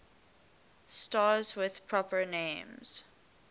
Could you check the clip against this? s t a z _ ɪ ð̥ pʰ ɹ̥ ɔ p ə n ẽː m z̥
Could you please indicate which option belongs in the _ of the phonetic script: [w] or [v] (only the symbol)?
w